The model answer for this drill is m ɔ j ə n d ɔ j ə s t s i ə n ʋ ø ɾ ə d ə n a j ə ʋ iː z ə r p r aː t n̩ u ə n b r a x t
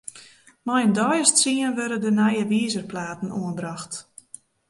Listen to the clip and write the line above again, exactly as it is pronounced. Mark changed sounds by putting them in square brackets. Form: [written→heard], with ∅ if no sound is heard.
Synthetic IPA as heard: m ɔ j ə n d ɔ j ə s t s i ə n ʋ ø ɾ ə d ə n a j ə ʋ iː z ə r p [r→l] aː t n̩ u ə n b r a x t